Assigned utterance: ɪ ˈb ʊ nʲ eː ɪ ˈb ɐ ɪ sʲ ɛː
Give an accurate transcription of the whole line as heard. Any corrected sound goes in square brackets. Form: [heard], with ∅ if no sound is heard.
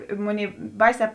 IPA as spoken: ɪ [ˈm] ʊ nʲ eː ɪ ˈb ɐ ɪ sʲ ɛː